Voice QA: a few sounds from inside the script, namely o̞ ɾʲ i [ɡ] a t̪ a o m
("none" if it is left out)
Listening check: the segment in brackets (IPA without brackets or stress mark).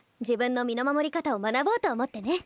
k